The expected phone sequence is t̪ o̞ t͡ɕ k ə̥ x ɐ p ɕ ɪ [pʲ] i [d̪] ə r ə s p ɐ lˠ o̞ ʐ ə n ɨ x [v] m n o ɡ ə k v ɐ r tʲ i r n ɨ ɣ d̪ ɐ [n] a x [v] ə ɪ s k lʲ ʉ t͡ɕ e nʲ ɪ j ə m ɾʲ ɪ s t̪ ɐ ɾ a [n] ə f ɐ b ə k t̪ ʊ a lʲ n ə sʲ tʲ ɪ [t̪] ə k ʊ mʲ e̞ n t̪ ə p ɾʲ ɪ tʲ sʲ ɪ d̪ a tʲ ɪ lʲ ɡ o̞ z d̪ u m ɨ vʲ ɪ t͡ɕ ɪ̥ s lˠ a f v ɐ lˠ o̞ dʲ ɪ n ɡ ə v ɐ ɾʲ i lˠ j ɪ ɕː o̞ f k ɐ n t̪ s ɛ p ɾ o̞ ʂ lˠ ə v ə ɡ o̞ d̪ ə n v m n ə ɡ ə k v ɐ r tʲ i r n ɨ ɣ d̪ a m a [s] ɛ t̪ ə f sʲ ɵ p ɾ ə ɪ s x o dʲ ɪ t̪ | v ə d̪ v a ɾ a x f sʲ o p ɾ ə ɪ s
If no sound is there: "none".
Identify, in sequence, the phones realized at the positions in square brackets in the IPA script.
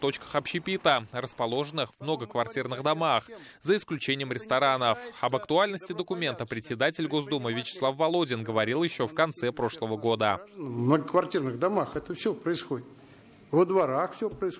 pʲ, t̪, v, m, z, n, d̪, x

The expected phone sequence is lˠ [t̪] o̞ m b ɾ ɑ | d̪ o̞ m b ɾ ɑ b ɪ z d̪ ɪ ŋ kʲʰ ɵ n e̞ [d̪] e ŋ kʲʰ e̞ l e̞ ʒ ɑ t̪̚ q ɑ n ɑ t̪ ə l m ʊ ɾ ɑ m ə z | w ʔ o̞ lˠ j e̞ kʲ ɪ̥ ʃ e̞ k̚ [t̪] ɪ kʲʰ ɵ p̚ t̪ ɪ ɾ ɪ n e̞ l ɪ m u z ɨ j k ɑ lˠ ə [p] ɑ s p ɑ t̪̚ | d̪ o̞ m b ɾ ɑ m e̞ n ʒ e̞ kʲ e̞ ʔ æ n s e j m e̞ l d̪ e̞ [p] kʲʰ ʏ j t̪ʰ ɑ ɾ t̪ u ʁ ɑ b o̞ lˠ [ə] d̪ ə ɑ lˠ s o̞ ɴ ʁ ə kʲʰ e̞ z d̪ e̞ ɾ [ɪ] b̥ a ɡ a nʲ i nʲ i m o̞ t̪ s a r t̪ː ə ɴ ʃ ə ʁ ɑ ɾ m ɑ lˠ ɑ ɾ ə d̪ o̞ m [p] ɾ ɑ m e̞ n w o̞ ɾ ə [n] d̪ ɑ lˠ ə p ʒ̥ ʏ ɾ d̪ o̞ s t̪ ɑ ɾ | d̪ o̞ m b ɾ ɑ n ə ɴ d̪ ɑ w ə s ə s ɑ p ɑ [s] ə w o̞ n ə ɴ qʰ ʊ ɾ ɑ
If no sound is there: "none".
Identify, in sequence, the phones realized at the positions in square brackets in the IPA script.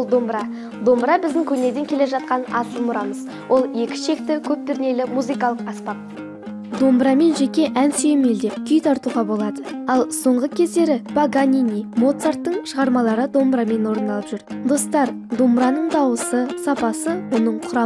d̪, d̪, t̪, q, p, ɑ, ɪ, b, n, s

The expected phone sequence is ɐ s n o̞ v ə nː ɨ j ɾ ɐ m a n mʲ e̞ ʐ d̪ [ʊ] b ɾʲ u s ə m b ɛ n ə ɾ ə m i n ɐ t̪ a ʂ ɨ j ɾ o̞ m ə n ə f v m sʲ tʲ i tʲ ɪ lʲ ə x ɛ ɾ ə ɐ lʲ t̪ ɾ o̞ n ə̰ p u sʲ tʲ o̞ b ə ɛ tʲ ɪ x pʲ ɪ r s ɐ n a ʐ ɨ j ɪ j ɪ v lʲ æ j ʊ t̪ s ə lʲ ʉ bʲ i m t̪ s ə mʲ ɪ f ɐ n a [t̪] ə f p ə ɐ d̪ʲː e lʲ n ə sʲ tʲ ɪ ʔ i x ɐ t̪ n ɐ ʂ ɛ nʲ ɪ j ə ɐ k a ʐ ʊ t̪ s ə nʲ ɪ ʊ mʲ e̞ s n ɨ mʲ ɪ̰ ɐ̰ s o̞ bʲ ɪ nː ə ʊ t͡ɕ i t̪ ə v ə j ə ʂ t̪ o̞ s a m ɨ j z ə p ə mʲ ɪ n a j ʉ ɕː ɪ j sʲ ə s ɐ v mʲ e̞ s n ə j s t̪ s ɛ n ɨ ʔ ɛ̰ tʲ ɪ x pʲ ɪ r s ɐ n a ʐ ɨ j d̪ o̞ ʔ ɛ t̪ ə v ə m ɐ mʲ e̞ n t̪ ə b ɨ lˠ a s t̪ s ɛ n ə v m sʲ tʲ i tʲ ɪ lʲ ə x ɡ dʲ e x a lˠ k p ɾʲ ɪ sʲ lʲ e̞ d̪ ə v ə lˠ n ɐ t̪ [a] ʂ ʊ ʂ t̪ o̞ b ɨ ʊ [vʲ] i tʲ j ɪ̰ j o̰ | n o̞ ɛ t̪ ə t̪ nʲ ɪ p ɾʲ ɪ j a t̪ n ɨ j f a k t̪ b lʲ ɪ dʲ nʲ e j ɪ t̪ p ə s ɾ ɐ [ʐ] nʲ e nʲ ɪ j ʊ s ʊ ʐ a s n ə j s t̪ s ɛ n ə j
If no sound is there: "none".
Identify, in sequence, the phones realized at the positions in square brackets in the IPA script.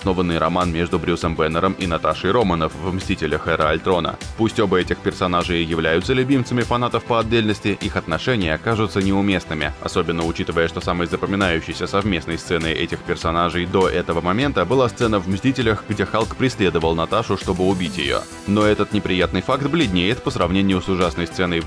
ʊ, t̪, a, bʲ, v

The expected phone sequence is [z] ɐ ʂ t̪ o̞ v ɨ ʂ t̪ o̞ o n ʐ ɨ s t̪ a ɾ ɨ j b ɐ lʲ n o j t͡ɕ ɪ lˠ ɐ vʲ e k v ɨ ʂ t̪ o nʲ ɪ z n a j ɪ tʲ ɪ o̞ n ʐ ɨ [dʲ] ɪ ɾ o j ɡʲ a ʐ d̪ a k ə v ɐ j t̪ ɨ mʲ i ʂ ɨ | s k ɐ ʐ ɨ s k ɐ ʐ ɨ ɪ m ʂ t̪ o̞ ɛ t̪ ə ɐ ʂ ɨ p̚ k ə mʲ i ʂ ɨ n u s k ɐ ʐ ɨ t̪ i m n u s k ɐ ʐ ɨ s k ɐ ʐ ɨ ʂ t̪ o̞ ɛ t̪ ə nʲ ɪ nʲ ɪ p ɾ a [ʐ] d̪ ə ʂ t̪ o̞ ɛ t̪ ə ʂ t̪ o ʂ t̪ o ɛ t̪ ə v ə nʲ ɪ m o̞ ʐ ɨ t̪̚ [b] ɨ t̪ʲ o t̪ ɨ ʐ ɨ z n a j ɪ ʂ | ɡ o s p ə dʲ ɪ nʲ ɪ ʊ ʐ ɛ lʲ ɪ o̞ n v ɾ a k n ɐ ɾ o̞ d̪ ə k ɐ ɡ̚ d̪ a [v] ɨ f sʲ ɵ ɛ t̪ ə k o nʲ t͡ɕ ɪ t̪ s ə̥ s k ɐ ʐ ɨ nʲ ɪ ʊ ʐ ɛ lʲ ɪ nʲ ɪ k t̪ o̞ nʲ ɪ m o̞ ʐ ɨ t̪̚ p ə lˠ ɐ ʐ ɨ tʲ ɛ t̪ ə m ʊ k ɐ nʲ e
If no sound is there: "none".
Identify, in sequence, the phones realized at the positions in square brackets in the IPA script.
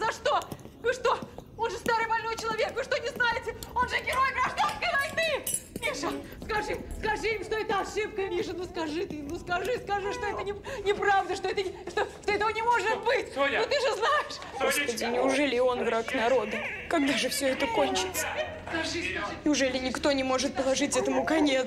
z, ɡʲ, v, b, ʐ

